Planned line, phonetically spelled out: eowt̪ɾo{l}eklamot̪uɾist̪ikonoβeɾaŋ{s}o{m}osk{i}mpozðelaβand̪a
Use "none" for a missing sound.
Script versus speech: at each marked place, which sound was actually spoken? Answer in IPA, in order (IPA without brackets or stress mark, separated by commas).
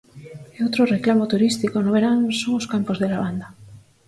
r, s, ŋ, a